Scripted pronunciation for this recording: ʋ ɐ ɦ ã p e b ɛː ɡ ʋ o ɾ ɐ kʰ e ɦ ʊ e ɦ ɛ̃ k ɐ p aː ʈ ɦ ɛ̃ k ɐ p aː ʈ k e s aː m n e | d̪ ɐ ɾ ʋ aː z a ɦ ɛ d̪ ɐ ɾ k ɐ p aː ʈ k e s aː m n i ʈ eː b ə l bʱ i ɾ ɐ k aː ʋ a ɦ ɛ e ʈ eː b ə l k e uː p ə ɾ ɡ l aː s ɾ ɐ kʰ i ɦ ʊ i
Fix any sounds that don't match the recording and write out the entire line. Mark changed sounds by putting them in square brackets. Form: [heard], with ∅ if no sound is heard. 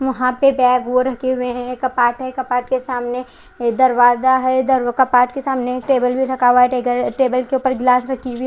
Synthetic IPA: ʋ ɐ ɦ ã p e b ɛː ɡ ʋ o ɾ ɐ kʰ e ɦ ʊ e ɦ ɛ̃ k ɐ p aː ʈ ɦ [ɛ] k ɐ p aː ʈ k e s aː m n e | d̪ ɐ ɾ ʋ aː z a ɦ ɛ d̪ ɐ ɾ k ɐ p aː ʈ k e s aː m n [e] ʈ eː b ə l bʱ i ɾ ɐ k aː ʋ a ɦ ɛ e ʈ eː b ə l k e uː p ə ɾ ɡ l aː s ɾ ɐ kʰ i ɦ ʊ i